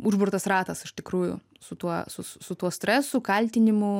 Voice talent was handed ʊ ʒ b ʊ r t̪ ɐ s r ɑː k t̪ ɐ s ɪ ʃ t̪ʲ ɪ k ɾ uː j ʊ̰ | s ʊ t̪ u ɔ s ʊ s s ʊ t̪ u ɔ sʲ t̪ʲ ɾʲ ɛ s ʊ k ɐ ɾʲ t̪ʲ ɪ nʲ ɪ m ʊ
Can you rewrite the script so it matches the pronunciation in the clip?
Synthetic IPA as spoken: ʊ ʒ b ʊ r t̪ ɐ s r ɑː t̪ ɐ s ɪ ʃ t̪ʲ ɪ k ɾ uː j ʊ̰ | s ʊ t̪ u ɔ s ʊ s s ʊ t̪ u ɔ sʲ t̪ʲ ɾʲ ɛ s ʊ k ɐ lʲ t̪ʲ ɪ nʲ ɪ m ʊ